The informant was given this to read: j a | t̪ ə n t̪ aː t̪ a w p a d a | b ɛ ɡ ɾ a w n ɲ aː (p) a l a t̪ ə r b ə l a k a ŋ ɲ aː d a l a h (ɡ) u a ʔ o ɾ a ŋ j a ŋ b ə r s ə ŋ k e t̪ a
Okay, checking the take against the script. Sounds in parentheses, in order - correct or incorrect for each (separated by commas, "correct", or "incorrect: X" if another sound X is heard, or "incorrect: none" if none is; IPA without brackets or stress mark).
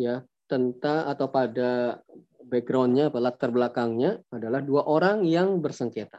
correct, incorrect: d